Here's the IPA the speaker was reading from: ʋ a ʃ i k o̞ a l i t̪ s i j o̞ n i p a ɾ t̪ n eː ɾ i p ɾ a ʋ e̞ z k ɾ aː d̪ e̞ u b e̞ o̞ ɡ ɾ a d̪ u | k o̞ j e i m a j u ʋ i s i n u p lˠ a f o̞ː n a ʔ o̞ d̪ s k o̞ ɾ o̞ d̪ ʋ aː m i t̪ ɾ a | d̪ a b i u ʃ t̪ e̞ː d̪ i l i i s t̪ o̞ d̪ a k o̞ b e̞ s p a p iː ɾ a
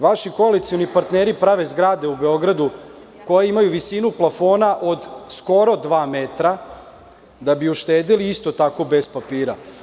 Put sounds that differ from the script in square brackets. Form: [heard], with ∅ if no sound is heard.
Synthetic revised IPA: ʋ a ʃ i k o̞ a l i t̪ s i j o̞ n i p a ɾ t̪ n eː ɾ i p ɾ a ʋ e̞ z [ɡ] ɾ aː d̪ e̞ u b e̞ o̞ ɡ ɾ a d̪ u | k o̞ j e i m a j u ʋ i s i n u p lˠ a f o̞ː n a ʔ o̞ d̪ s k o̞ ɾ o̞ d̪ ʋ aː m [e] t̪ ɾ a | d̪ a b i u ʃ t̪ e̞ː d̪ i l i i s t̪ o̞ [t̪] a k o̞ b e̞ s p a p iː ɾ a